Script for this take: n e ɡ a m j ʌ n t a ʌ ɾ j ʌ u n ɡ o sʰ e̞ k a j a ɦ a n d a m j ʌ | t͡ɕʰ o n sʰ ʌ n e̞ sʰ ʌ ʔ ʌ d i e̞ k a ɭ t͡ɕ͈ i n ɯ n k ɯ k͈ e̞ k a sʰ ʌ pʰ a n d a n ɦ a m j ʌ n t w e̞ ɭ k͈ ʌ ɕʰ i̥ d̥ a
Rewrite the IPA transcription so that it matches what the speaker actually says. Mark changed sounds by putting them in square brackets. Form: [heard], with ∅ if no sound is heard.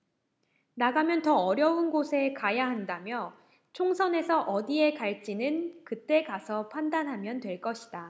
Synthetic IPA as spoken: n [a] ɡ a m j ʌ n t [ʌ] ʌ ɾ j ʌ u n ɡ o sʰ e̞ k a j a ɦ a n d a m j ʌ | t͡ɕʰ o [ŋ] sʰ ʌ n e̞ sʰ ʌ ʔ ʌ d i e̞ k a ɭ t͡ɕ͈ i n ɯ n k ɯ [t͈] e̞ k a sʰ ʌ pʰ a n d a n ɦ a m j ʌ n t w e̞ ɭ k͈ ʌ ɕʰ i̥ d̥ a